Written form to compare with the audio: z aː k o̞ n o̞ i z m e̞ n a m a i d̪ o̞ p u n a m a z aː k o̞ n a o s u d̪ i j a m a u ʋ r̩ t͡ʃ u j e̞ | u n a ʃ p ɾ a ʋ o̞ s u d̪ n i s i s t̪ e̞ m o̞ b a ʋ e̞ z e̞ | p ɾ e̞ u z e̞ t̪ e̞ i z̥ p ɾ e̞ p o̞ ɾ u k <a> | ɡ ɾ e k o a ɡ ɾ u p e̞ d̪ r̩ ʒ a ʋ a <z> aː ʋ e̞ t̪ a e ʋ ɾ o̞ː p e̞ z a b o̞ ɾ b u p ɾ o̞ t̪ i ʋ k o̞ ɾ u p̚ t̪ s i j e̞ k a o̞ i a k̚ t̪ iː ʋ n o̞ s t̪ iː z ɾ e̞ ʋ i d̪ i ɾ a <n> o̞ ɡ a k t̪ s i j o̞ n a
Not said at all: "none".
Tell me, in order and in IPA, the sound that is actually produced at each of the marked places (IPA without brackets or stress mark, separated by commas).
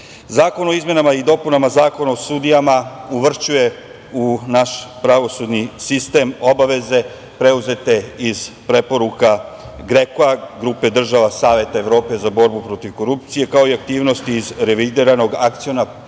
a, s, n